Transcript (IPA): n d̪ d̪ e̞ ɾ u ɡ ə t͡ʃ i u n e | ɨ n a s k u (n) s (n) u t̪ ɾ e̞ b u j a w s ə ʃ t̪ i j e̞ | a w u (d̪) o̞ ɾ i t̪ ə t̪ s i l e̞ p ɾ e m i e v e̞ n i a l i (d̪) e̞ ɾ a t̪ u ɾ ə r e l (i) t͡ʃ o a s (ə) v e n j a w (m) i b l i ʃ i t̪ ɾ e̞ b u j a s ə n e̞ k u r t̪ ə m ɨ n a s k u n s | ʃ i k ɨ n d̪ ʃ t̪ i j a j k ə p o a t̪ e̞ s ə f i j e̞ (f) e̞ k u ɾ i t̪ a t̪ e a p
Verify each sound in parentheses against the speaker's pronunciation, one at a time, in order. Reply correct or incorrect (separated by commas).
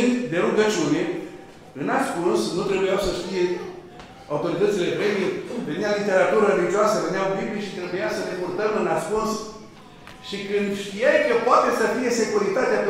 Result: correct, correct, incorrect, incorrect, correct, correct, incorrect, incorrect